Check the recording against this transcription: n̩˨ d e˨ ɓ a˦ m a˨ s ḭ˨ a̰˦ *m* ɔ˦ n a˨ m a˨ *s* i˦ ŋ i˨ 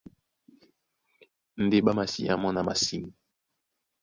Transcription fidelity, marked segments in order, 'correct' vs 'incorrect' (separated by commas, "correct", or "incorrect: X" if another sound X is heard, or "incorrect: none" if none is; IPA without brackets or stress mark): correct, correct